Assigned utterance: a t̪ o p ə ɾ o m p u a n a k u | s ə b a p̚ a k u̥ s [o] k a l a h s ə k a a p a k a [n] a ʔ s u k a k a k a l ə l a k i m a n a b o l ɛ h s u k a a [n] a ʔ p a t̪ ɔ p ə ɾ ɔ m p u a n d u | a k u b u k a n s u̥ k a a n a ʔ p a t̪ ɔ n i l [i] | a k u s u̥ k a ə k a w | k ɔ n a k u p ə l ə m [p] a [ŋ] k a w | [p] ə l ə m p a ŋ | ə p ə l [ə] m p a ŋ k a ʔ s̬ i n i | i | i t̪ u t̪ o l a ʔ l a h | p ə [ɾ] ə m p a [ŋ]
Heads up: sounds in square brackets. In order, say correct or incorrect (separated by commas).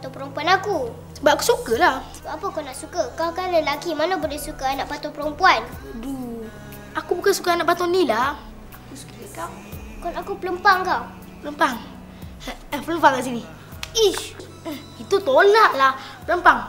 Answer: incorrect, correct, correct, incorrect, correct, correct, correct, correct, incorrect, correct